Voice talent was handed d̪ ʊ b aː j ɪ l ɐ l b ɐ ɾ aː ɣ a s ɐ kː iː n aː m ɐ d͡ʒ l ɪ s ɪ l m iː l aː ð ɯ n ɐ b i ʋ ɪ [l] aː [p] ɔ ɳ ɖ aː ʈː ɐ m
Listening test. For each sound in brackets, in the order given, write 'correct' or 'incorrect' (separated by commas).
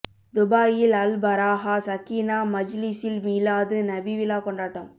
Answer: correct, incorrect